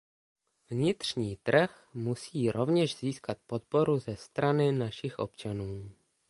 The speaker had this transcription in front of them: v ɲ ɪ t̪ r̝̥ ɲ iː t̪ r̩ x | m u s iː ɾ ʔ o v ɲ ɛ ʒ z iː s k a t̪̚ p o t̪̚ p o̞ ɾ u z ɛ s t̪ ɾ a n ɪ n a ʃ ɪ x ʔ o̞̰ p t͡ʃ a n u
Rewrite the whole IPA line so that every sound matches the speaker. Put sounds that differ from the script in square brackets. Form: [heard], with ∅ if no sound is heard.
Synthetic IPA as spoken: v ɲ ɪ t̪ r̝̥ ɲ iː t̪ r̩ x | m u s iː ɾ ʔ o v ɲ ɛ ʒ z iː s k a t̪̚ p o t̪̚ p o̞ ɾ u z ɛ s t̪ ɾ a n ɪ n a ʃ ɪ x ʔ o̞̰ p t͡ʃ a n [uː]